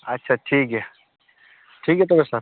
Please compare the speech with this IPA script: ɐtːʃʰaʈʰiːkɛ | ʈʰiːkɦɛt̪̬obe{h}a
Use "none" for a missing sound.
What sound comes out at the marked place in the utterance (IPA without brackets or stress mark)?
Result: s